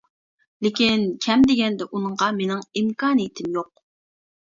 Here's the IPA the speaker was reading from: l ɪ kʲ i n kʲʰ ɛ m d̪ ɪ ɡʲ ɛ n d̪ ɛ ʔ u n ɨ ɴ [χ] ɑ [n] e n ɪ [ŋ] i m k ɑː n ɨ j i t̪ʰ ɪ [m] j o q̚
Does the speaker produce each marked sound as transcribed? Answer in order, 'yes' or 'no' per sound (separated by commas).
no, no, yes, yes